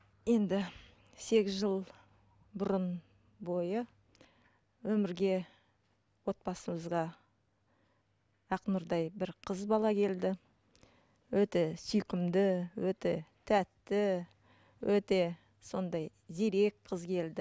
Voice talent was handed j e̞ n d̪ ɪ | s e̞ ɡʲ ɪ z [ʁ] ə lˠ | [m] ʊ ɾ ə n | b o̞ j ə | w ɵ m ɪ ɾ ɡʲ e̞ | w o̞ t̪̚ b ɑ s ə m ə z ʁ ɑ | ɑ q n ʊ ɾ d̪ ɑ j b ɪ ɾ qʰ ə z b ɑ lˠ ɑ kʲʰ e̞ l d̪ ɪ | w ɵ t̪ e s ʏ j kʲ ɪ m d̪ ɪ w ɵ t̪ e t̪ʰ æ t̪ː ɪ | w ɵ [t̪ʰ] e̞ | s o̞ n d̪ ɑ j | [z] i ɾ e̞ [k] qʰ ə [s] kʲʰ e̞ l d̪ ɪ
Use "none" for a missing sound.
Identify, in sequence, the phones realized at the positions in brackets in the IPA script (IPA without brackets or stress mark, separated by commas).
ʒ, b, t̪, z, k, z